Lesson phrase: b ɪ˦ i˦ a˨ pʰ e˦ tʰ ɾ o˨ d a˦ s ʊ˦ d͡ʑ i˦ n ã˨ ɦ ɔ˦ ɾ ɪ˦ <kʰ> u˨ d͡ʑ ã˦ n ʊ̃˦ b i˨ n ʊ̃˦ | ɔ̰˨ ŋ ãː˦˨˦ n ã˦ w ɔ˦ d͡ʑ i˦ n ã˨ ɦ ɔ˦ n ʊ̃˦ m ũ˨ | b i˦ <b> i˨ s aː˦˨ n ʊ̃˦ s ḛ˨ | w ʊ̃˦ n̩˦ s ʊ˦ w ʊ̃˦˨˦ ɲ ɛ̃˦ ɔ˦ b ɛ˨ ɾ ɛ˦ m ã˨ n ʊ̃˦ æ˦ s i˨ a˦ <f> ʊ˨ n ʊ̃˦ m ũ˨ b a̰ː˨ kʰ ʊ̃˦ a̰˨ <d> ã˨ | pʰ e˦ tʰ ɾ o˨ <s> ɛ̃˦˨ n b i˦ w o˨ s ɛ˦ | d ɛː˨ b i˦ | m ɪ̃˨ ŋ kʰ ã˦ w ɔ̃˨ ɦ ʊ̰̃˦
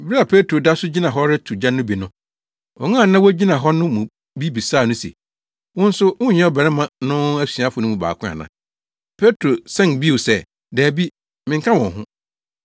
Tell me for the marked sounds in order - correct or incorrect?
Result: incorrect: tʰ, correct, correct, incorrect: n, correct

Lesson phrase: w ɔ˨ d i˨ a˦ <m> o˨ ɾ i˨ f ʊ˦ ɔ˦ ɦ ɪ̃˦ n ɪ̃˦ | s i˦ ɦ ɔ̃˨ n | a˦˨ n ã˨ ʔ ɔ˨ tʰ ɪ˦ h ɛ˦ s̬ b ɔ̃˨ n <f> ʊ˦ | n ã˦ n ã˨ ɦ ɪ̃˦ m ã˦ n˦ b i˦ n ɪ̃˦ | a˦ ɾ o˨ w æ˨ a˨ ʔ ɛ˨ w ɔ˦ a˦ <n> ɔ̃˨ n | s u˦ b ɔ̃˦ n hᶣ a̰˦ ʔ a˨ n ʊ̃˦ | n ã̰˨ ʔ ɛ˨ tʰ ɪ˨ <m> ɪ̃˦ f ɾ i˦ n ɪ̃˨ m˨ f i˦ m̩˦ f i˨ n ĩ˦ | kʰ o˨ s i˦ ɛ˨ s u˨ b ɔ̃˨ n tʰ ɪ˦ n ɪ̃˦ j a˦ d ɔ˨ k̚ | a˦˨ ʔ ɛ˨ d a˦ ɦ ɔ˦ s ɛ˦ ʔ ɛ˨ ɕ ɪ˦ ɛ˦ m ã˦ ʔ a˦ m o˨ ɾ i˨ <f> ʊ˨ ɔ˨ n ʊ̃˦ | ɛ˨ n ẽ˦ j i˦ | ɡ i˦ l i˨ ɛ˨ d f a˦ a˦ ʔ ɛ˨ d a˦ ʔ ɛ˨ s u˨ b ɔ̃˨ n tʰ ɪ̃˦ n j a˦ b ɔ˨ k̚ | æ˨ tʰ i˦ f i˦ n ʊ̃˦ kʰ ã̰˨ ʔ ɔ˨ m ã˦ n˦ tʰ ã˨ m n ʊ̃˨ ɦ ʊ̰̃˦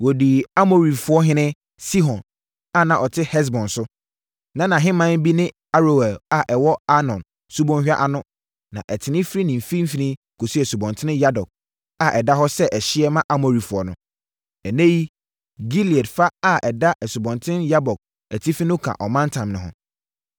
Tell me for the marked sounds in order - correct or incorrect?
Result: correct, incorrect: s, correct, incorrect: n, correct

